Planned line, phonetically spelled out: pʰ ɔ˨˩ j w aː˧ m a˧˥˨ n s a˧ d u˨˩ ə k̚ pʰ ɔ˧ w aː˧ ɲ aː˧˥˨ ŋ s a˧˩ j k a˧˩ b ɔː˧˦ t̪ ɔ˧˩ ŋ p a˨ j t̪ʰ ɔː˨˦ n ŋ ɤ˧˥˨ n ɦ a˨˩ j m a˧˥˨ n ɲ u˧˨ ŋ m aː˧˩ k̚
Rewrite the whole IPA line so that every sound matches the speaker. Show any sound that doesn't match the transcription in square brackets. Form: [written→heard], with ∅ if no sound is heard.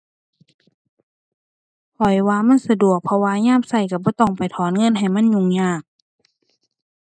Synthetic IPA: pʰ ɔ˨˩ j w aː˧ m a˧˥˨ n s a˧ d u˨˩ ə k̚ pʰ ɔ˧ w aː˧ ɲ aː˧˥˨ [ŋ→m] s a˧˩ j k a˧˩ b ɔː˧˦ t̪ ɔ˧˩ ŋ p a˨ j t̪ʰ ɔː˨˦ n ŋ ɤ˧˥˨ n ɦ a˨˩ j m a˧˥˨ n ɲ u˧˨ ŋ [m→ɲ] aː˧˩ k̚